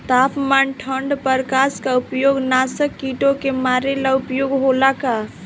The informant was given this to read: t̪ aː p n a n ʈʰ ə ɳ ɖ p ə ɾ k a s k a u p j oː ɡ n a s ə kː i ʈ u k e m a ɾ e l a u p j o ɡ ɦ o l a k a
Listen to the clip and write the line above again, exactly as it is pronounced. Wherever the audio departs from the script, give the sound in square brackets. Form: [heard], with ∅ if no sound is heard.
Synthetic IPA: t̪ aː p [m] a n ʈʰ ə ɳ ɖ p ə ɾ k a s k a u p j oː ɡ n a s ə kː i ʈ [o] k e m a ɾ e l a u p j o ɡ ɦ o l a k a